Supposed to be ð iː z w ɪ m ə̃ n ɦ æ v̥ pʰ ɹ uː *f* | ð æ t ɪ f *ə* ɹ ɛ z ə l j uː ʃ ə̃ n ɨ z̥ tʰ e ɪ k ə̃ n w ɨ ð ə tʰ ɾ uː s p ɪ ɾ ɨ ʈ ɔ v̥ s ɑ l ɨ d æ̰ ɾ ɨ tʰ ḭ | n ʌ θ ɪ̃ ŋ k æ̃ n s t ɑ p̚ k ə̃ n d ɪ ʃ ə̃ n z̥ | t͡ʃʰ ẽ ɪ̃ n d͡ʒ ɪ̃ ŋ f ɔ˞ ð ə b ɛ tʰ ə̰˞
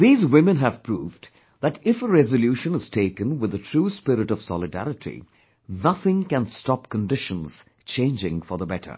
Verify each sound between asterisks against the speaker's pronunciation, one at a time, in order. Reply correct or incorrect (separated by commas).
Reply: incorrect, correct